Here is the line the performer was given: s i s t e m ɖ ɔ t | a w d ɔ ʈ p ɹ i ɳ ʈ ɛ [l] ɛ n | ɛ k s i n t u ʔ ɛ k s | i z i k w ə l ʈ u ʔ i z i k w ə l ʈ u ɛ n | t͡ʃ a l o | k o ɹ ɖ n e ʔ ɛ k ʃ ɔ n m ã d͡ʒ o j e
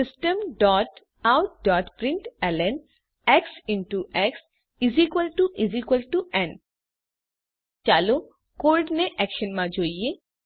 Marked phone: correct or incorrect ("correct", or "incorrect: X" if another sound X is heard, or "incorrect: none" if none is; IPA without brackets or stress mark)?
correct